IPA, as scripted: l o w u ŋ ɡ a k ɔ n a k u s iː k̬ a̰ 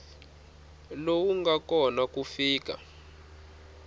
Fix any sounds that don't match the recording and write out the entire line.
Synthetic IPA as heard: l o w u ŋ ɡ a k ɔ n a k u f iː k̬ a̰

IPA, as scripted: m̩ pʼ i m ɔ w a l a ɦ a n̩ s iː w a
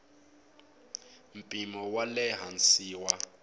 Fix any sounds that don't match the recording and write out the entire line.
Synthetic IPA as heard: m̩ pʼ i m ɔ w a l ɛ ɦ a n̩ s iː w a

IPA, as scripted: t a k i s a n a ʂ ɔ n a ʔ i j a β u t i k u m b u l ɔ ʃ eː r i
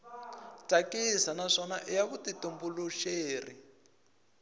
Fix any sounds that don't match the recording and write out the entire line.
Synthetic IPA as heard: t a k i s a n a ʂ ɔ n a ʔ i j a β u t i t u m b u l u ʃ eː r i

